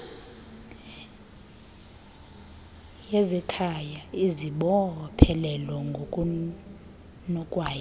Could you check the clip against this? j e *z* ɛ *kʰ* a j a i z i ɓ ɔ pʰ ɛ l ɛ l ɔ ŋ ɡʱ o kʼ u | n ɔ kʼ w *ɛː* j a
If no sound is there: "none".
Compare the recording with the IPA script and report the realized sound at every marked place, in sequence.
z, kʰ, aː

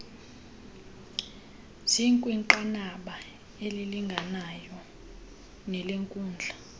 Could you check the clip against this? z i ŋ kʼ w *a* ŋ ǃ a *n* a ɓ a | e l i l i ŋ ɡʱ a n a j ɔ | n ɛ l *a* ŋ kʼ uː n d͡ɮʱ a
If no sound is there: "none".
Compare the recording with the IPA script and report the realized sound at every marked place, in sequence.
i, n, e

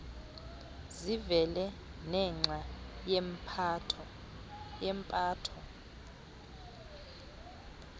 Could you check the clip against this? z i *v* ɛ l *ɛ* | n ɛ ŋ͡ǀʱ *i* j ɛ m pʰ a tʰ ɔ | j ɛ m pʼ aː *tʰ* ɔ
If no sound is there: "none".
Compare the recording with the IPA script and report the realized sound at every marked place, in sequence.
v, ɛ, a, tʰ

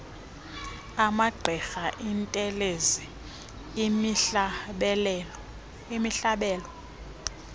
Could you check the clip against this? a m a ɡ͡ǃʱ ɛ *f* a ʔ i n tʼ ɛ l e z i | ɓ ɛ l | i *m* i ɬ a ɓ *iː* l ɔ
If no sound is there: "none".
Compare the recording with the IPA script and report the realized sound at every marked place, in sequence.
x, m, ɛː

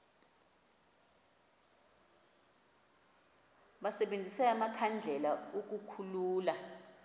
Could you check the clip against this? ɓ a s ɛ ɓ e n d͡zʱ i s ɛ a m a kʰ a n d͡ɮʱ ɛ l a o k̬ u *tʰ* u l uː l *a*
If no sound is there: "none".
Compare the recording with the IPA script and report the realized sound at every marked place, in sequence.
kʰ, a

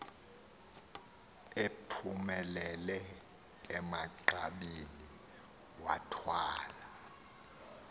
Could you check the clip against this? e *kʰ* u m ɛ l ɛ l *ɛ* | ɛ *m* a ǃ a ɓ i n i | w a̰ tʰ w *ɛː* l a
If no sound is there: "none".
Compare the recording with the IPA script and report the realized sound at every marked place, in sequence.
pʰ, ɛ, m, aː

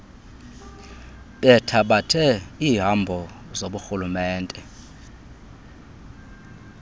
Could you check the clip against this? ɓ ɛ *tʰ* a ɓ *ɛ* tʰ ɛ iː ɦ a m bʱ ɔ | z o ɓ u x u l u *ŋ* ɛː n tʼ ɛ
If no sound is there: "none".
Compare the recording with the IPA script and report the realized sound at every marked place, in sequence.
tʰ, a, m

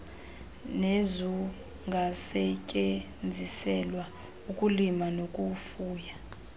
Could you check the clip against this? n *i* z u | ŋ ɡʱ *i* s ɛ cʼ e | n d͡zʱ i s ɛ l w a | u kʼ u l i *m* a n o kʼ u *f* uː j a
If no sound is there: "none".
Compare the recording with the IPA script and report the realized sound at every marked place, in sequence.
e, a, m, f

